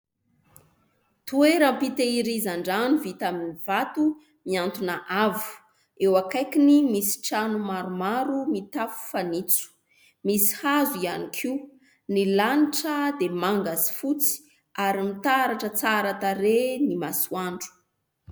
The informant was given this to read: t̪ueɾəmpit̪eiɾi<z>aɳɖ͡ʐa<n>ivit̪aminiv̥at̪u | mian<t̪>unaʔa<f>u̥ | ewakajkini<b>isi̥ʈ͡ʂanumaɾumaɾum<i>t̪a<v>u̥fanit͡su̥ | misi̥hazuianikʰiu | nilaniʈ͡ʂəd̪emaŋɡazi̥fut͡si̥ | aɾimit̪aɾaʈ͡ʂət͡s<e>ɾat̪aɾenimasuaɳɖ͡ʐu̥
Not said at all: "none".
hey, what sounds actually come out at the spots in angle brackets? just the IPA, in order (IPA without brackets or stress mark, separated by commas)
z, n, t̪, v, m, i, f, a